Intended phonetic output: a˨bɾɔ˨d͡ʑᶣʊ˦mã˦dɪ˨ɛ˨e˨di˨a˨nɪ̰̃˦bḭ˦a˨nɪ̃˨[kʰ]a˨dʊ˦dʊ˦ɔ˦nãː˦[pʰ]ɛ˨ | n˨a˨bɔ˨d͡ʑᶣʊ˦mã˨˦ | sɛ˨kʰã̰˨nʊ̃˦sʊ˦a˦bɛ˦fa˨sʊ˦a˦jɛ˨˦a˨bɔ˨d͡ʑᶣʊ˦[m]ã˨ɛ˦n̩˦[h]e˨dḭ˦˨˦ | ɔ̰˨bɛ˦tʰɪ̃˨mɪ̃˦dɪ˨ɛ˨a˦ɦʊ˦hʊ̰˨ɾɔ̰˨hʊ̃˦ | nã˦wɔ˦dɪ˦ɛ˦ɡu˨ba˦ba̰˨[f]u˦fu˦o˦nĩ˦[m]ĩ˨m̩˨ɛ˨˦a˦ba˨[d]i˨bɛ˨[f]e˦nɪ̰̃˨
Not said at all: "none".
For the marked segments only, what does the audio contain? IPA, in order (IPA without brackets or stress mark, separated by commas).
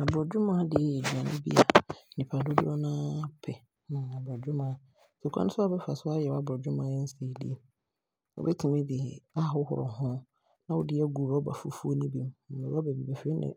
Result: pʰ, pʰ, m, s, f, b, b, f